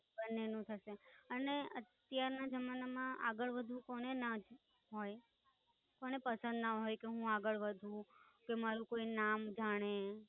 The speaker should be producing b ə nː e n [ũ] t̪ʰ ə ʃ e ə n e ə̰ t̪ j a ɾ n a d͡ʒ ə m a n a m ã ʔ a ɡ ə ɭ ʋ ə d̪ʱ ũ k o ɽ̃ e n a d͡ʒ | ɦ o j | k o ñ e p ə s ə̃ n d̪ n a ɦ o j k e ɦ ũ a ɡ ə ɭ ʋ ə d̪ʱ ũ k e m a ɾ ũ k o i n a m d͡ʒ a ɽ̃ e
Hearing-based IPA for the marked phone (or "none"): ũ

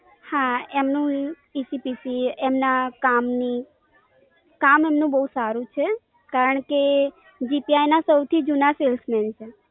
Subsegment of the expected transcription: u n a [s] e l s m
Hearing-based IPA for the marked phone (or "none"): s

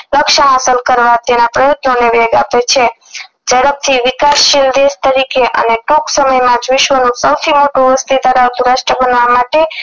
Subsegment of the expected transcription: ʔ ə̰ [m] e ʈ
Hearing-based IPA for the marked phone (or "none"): n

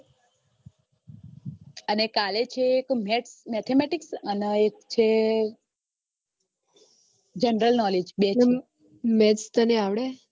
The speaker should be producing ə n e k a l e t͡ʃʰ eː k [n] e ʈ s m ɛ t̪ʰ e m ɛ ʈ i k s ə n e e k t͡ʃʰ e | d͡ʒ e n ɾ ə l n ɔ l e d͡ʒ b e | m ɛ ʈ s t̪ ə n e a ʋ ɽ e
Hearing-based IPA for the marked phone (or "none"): m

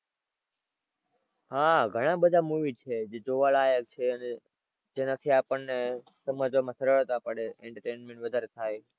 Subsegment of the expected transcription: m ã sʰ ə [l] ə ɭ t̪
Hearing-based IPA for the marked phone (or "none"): ɾ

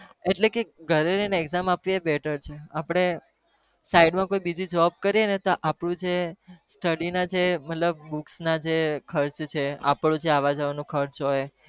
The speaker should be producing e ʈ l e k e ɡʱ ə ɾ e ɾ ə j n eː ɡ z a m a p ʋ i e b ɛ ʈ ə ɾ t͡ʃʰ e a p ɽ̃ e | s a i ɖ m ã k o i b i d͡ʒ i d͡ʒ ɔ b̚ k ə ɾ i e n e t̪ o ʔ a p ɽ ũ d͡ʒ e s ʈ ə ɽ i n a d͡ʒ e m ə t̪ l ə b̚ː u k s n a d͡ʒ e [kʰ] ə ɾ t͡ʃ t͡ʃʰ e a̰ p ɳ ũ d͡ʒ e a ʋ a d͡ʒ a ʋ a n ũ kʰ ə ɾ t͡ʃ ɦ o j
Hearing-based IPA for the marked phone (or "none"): kʰ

